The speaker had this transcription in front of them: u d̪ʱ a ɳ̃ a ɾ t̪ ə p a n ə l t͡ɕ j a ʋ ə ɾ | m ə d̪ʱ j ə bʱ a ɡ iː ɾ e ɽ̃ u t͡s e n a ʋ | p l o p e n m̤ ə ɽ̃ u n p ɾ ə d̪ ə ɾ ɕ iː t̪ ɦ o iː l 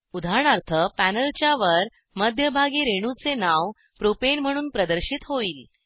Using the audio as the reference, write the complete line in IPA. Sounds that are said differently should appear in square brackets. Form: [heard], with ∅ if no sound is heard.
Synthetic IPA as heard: u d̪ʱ a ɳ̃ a ɾ [t̪ʰ] ə p [æ] n ə l t͡ɕ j a ʋ ə ɾ | m ə d̪ʱ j ə bʱ a ɡ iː ɾ e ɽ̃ u t͡s e n a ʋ | p [ɾ] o p e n m̤ ə ɽ̃ [uː] n p ɾ ə d̪ ə ɾ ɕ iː t̪ ɦ o iː l